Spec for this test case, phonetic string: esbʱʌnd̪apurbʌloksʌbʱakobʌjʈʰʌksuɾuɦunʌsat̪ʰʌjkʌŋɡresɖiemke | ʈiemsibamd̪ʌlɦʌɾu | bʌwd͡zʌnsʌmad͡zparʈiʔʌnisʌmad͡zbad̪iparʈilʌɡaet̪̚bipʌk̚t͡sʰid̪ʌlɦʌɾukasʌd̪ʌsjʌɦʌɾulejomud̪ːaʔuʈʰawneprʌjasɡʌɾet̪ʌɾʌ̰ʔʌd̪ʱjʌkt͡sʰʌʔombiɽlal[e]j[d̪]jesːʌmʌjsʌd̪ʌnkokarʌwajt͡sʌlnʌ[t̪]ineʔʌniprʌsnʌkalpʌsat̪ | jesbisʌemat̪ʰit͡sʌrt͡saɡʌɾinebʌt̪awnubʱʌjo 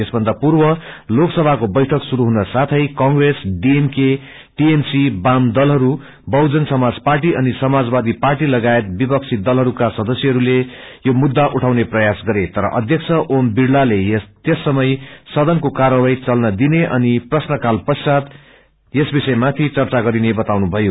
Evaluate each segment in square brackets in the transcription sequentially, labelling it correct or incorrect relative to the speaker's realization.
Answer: correct, incorrect: t̪, incorrect: d̪

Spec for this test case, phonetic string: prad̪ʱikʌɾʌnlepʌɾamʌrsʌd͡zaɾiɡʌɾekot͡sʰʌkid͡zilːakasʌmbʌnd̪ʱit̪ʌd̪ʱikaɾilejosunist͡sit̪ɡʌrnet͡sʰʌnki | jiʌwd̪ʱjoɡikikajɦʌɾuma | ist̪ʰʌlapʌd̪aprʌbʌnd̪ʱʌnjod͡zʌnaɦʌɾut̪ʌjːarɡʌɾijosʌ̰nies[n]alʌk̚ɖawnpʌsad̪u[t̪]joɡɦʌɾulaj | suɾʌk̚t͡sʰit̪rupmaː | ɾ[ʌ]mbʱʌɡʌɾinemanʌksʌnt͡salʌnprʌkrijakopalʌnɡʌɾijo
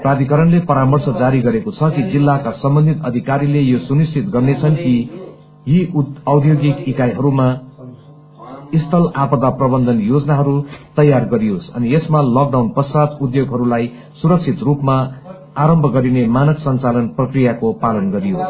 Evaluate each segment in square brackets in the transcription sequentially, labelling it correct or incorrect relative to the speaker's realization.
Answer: incorrect: m, incorrect: d̪, correct

